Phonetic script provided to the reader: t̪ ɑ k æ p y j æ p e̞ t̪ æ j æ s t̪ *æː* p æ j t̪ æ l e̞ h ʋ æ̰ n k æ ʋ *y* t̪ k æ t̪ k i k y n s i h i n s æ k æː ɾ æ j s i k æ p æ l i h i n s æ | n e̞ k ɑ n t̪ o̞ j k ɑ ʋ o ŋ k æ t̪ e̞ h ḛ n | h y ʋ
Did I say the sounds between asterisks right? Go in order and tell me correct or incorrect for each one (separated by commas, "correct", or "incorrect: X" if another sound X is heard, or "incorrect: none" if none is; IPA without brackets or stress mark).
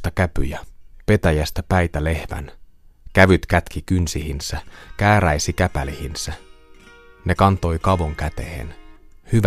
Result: incorrect: æ, correct